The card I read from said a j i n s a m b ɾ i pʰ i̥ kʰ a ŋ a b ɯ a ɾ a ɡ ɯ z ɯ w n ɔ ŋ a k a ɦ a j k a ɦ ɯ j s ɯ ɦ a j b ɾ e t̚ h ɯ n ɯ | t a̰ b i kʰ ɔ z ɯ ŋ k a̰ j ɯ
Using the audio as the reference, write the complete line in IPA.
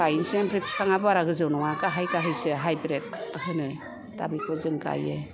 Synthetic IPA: a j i n s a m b ɾ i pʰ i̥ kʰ a ŋ a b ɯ a ɾ a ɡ ɯ z ɯ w n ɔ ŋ a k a ɦ a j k a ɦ ɯ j s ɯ ɦ a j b ɾ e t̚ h ɯ n ɯ | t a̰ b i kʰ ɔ z ɯ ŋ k a̰ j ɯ